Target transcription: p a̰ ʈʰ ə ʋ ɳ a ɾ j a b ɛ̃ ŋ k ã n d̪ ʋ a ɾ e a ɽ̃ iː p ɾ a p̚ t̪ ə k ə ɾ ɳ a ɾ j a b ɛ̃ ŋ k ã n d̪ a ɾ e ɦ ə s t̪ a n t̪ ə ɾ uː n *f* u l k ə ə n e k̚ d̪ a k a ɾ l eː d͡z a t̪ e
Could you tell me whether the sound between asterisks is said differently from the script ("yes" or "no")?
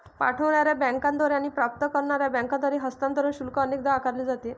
yes